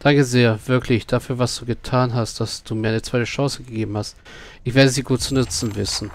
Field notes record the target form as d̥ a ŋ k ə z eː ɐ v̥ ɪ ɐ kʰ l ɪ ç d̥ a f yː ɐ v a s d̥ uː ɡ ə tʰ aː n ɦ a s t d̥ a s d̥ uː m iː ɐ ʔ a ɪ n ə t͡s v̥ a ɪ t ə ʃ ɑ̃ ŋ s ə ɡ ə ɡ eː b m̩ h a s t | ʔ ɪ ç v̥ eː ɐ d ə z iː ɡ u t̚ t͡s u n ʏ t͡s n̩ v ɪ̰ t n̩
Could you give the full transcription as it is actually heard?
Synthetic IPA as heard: d̥ a ŋ k ə z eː ɐ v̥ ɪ ɐ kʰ l ɪ ç d̥ a f yː ɐ v a s d̥ uː ɡ ə tʰ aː n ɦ a s t d̥ a s d̥ uː m iː ɐ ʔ a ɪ n ə t͡s v̥ a ɪ t ə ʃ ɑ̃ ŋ s ə ɡ ə ɡ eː b m̩ h a s t | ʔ ɪ ç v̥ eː ɐ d ə z iː ɡ uː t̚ t͡s u n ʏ t͡s n̩ v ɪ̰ s n̩